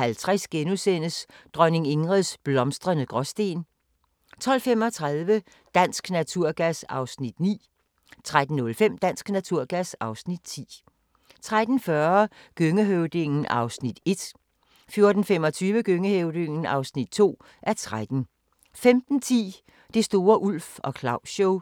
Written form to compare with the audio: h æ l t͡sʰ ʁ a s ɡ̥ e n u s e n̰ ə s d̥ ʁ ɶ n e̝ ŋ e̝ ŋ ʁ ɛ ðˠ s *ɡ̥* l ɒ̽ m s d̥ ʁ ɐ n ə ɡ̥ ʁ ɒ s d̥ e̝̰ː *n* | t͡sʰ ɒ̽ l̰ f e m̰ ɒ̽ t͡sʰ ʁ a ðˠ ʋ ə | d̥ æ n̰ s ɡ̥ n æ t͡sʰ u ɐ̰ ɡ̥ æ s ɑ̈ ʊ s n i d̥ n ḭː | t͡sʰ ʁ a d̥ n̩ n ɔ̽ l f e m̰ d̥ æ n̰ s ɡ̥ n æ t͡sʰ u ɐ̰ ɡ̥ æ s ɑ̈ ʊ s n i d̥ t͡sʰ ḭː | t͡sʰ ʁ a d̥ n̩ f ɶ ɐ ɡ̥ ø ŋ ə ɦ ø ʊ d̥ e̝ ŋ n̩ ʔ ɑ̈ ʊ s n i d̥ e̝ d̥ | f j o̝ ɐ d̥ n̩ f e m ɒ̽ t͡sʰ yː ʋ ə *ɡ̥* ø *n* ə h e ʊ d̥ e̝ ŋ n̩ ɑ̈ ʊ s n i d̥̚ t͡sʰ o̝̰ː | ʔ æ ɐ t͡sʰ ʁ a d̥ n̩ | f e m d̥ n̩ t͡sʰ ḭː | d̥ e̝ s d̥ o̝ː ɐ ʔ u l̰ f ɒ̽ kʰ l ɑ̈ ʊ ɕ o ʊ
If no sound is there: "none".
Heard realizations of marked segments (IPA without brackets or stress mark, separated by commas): b̥, n, ɡ̥, ŋ